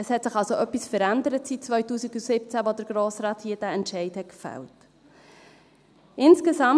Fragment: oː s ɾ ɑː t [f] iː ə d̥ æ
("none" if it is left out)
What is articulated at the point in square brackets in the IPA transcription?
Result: h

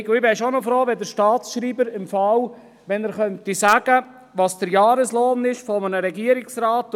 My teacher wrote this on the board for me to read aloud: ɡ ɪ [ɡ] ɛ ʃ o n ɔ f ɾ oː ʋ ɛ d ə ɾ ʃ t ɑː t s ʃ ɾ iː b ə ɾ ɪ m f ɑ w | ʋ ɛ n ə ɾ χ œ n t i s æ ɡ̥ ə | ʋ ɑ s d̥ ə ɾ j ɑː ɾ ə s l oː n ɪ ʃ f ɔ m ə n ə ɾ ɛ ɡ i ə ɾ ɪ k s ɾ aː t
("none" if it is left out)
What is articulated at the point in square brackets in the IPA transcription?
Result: b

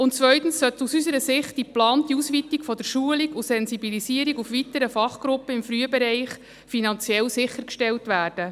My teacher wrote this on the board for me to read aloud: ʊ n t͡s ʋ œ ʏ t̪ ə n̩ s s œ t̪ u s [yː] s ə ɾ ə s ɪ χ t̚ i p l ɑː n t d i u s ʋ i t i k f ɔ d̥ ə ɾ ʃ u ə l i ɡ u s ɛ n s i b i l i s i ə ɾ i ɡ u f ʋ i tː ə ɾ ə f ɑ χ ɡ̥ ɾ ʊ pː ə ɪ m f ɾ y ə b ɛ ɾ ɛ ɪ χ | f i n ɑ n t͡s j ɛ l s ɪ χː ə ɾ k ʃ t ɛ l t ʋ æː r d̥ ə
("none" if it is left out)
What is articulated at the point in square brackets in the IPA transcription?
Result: y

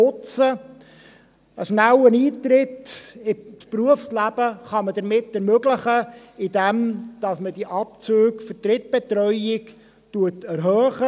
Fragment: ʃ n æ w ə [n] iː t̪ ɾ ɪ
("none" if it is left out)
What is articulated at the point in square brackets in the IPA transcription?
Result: n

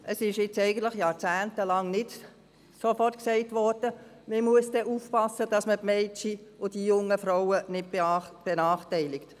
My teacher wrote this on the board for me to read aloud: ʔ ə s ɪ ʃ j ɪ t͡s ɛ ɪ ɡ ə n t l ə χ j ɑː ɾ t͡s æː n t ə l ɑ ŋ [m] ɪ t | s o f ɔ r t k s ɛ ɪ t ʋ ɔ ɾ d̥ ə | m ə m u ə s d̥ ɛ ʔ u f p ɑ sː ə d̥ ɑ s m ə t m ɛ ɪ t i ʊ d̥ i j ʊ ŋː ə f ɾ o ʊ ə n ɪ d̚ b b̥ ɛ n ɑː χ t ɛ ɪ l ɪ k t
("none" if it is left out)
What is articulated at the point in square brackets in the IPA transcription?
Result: n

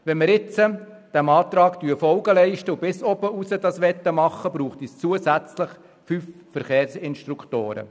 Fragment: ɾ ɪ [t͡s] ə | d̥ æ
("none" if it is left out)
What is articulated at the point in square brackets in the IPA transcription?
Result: t͡s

